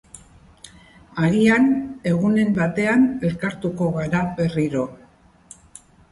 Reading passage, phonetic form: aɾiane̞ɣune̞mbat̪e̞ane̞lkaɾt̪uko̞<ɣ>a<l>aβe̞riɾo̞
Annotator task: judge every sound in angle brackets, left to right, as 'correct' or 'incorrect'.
correct, incorrect: ɾ

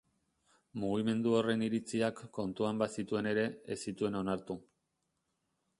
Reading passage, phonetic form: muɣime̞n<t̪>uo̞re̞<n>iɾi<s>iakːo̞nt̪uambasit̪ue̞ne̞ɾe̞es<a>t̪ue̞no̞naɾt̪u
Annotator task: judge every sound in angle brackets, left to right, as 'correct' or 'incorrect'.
incorrect: d̪, correct, incorrect: t͡s, incorrect: i

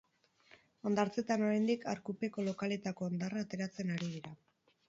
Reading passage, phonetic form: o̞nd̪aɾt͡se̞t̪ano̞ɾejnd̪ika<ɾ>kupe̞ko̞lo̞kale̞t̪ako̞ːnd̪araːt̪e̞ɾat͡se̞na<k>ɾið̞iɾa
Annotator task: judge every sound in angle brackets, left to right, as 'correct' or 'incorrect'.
correct, incorrect: none

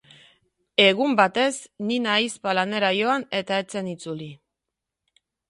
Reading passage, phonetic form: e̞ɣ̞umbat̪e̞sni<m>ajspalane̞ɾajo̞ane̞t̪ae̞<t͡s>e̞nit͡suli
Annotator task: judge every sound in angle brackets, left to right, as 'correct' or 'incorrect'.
incorrect: n, correct

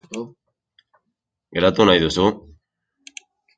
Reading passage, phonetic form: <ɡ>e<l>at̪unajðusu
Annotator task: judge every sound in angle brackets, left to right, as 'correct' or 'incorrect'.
correct, incorrect: ɾ

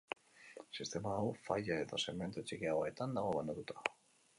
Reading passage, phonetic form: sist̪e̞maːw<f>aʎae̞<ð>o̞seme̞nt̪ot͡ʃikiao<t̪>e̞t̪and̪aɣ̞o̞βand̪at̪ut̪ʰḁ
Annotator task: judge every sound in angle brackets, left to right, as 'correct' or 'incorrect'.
correct, correct, incorrect: none

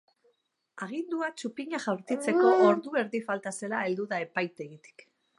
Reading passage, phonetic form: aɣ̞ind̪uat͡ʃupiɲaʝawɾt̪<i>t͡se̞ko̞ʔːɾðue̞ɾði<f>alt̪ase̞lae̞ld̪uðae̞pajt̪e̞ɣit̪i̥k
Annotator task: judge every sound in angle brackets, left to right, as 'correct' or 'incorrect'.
correct, correct

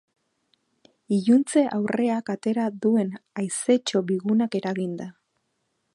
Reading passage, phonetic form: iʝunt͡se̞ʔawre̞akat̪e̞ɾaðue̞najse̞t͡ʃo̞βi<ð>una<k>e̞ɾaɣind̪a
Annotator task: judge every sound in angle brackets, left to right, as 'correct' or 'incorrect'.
incorrect: ɣ, correct

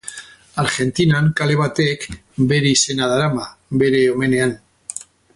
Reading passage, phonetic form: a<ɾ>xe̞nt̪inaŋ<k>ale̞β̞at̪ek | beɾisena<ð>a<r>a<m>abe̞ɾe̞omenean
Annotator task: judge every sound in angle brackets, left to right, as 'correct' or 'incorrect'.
correct, correct, correct, incorrect: ɾ, correct

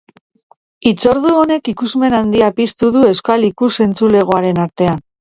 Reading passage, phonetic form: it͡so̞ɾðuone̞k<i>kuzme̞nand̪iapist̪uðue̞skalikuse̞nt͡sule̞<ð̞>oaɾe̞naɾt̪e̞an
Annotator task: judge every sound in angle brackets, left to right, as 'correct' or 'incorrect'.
correct, incorrect: ɣ̞

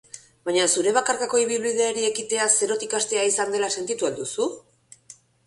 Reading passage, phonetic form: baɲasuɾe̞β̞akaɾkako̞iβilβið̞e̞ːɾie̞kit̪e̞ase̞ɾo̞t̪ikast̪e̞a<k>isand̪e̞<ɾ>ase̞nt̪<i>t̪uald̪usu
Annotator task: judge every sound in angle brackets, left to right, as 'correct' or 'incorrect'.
incorrect: none, incorrect: l, correct

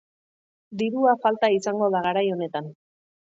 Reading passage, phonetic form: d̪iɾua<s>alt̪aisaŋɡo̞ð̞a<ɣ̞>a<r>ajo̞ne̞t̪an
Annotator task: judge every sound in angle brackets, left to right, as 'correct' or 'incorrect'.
incorrect: f, correct, incorrect: ɾ

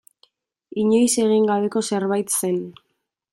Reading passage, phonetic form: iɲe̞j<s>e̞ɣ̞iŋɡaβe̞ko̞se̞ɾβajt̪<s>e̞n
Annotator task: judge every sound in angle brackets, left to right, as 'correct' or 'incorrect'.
correct, correct

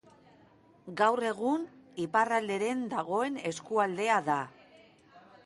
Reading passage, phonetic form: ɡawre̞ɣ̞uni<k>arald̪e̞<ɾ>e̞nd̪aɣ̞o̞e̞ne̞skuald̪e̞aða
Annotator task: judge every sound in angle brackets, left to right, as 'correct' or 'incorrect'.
incorrect: p, correct

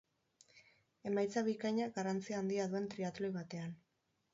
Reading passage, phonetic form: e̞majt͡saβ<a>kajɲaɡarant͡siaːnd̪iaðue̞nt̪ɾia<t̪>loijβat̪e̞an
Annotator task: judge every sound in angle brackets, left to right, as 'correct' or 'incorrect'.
incorrect: i, correct

